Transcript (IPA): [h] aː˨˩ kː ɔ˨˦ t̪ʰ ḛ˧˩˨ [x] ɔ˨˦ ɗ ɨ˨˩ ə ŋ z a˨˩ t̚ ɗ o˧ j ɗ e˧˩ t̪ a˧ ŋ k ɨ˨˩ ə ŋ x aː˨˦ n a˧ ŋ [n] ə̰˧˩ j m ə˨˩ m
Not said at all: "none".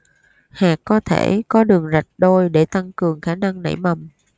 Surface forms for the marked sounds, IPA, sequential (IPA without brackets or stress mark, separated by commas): h, k, n